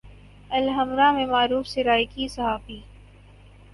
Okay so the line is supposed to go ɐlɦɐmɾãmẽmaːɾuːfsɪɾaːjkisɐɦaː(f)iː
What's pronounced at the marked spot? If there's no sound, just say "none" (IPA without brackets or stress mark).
f